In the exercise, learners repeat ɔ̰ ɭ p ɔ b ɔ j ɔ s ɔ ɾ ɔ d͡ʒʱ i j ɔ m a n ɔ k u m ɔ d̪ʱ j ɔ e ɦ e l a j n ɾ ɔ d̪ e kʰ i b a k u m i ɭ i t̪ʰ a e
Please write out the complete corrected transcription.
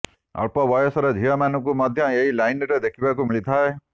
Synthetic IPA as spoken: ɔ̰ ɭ p ɔ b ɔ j ɔ s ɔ ɾ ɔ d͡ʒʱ i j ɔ m a n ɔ k u m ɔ d̪ʱ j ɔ e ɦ i l a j n ɾ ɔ d̪ e kʰ i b a k u m i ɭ i t̪ʰ a e